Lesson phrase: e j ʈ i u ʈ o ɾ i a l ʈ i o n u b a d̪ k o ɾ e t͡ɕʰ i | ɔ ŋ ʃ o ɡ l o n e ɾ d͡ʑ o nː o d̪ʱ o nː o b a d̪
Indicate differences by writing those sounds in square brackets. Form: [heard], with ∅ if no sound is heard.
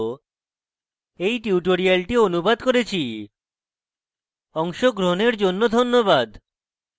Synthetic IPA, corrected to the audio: e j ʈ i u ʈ o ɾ i a l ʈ i o n u b a d̪ k o ɾ e t͡ɕʰ i | ɔ ŋ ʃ o ɡ [ɾ] o n e ɾ d͡ʑ o nː o d̪ʱ o nː o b a d̪